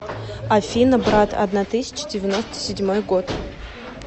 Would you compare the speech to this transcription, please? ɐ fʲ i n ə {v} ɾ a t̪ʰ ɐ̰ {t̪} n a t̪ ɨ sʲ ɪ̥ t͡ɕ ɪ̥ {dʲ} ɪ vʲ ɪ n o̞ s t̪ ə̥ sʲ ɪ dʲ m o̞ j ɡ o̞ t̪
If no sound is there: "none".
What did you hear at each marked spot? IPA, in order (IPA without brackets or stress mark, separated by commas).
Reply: b, d̪, dʲ